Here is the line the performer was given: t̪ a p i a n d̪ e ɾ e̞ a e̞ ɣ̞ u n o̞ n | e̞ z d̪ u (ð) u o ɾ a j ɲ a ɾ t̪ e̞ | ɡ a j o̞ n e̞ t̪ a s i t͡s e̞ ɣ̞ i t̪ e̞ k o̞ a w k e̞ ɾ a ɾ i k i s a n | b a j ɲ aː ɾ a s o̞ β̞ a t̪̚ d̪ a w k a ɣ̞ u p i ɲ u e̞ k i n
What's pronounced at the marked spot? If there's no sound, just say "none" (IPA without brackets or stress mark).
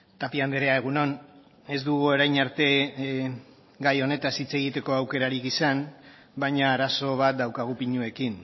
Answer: ɣ